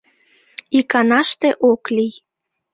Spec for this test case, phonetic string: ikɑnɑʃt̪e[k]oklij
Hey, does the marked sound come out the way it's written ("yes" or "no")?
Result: no